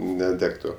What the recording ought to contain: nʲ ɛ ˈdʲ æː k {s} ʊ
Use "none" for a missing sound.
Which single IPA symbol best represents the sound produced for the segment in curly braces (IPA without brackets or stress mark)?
t